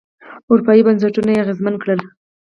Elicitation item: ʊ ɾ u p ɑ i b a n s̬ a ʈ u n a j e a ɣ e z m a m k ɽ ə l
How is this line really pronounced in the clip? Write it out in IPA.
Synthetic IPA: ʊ ɾ u p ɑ i b a n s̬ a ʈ u n a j e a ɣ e z m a n k ɽ ə l